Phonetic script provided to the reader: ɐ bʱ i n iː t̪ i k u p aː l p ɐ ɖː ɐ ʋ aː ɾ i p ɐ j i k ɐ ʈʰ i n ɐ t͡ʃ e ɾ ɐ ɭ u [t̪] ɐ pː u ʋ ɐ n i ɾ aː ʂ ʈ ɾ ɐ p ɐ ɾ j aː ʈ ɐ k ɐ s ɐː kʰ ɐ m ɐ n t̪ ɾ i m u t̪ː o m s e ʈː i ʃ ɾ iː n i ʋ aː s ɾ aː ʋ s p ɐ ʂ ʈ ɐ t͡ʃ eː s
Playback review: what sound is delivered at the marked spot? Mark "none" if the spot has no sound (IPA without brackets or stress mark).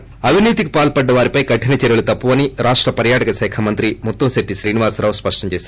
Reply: t̪